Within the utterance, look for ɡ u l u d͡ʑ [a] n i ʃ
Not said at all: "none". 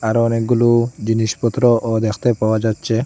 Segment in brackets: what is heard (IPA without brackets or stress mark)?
i